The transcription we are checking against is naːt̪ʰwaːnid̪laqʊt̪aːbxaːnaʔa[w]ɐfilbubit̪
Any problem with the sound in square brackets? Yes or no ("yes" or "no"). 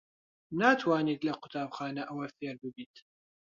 no